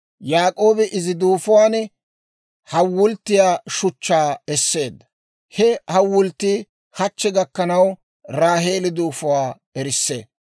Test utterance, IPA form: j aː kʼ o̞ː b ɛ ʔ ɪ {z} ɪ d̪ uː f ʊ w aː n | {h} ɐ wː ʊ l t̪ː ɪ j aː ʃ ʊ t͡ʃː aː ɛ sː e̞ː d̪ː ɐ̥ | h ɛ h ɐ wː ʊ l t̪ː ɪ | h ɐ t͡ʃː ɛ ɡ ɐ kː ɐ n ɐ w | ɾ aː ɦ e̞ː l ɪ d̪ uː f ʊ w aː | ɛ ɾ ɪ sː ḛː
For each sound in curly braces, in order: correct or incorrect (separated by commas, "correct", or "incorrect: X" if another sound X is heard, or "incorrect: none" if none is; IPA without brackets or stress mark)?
correct, correct